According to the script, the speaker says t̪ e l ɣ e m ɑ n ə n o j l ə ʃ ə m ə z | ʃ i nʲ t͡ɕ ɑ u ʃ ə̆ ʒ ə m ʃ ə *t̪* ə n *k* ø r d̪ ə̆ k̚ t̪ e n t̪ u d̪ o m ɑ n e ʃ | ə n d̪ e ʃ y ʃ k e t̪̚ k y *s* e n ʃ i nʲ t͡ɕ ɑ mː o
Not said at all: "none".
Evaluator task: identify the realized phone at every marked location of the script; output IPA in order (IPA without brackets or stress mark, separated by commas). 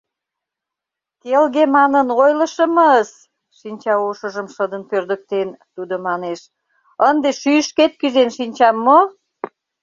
d̪, p, z